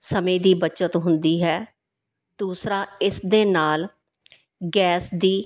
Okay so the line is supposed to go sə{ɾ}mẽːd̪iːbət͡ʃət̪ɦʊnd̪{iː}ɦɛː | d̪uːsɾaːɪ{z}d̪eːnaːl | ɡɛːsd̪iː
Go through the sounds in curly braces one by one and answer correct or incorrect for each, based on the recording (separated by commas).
incorrect, correct, incorrect